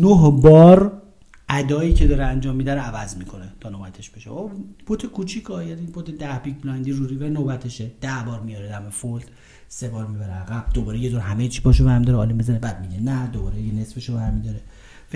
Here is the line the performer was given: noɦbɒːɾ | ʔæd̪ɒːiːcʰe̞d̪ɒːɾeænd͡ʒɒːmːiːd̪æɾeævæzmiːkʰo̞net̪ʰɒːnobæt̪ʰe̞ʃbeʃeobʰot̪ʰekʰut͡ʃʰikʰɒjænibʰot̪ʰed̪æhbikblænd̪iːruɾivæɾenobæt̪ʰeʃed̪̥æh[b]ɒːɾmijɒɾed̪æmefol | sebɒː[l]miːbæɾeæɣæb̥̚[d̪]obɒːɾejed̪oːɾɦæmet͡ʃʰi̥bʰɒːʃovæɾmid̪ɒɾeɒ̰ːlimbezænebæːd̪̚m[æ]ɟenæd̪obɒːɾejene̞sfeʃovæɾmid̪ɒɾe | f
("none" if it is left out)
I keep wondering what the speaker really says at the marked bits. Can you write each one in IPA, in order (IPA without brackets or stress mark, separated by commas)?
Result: b, ɾ, d̪, i